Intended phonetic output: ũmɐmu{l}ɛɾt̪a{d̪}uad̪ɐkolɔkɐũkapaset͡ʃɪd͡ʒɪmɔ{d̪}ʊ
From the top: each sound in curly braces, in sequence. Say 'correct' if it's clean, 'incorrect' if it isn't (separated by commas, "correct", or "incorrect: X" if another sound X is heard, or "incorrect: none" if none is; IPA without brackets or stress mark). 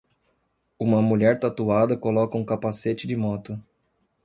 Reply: incorrect: ʎ, incorrect: t̪, incorrect: t̪